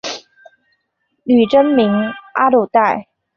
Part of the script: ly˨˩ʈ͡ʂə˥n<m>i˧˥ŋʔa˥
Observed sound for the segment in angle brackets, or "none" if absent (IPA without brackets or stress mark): m